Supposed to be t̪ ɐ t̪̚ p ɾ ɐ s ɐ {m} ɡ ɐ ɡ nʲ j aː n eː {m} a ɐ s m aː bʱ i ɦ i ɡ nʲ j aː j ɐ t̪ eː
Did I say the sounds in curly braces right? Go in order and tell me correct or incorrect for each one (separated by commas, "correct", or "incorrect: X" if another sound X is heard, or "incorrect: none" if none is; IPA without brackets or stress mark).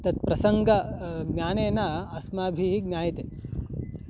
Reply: incorrect: ŋ, incorrect: n